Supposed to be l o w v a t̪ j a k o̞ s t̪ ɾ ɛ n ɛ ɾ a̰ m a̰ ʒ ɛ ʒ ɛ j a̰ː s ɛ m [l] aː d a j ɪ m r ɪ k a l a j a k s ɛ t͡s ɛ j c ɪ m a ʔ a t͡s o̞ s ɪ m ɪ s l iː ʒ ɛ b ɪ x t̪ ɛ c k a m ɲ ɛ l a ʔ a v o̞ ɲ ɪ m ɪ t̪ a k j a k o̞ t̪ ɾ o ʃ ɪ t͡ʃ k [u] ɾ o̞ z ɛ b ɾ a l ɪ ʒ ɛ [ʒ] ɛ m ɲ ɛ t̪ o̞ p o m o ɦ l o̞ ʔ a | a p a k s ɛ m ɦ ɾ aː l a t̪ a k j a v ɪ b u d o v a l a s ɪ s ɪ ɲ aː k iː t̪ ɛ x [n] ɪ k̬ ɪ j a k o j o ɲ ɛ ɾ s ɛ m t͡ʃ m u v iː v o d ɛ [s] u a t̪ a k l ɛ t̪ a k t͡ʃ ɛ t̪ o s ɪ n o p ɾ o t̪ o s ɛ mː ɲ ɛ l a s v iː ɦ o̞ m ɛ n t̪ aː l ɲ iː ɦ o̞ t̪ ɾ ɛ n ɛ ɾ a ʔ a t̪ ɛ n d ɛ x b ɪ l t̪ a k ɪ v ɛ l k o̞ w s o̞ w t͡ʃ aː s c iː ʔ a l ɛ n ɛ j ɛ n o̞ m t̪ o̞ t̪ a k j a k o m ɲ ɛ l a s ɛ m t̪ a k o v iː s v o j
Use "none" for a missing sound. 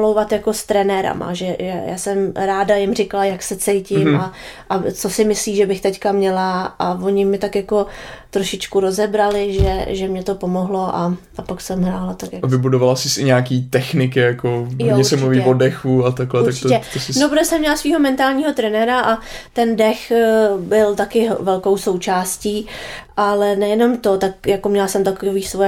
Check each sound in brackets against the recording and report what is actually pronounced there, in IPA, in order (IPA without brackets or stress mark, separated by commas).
ɾ, u, ʒ, n, x